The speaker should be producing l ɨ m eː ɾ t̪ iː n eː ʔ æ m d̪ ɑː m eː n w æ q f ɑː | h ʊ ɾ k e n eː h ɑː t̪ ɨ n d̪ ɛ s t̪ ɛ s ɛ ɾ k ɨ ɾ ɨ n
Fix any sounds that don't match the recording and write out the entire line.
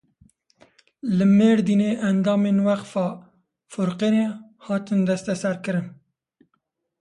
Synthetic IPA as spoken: l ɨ m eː ɾ d̪ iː n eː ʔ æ n d̪ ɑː m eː n w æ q f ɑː | f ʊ ɾ q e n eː h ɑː t̪ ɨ n d̪ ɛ s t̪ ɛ s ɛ ɾ k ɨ ɾ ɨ n